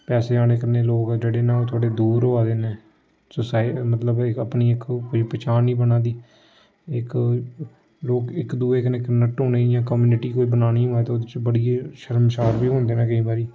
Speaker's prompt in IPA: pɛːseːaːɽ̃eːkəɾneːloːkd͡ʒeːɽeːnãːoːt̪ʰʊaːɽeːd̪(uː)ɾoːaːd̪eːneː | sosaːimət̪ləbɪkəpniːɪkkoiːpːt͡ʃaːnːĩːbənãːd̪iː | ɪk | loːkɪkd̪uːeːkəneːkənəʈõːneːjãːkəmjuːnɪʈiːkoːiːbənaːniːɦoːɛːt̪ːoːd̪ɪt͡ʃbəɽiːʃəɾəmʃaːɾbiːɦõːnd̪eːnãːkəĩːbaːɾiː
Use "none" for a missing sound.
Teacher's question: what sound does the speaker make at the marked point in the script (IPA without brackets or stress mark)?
uː